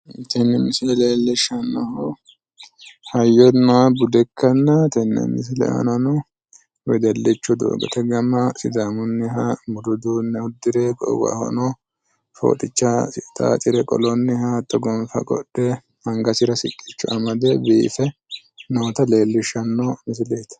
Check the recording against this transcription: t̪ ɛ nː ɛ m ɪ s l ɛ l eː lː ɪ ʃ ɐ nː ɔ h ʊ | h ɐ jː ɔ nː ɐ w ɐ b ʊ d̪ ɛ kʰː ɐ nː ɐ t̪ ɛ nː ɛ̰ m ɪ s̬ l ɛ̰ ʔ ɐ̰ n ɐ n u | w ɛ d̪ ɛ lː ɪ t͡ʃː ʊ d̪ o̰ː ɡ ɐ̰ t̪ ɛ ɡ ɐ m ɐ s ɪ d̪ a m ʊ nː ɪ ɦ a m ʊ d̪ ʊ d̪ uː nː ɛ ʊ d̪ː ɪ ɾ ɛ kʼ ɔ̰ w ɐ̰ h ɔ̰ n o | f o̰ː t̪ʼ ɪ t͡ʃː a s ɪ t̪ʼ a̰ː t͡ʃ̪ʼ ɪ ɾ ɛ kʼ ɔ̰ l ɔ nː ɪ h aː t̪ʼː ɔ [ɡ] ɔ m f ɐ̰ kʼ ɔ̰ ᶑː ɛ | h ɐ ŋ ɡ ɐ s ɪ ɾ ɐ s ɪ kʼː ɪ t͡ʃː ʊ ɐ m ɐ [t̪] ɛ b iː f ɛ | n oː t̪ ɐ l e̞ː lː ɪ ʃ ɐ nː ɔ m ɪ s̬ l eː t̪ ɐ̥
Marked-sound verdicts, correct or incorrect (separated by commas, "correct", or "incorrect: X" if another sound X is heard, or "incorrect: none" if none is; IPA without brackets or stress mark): correct, incorrect: d̪